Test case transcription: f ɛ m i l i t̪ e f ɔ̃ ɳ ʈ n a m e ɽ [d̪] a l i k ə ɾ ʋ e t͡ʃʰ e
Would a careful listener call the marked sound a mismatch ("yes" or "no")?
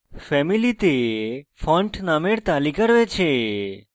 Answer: yes